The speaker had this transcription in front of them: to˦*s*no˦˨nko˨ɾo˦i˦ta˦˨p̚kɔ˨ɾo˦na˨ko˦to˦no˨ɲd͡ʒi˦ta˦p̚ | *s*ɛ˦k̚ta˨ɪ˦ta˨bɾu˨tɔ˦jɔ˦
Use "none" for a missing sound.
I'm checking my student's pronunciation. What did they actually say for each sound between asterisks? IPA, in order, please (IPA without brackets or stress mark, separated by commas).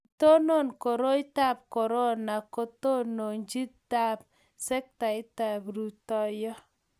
none, s